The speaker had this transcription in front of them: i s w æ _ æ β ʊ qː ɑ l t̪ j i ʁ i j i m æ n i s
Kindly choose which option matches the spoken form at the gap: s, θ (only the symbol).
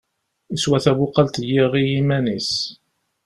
θ